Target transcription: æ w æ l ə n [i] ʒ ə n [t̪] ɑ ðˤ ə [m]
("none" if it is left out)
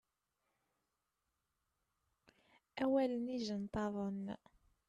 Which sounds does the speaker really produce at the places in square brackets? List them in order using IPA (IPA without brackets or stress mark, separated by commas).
i, t̪, n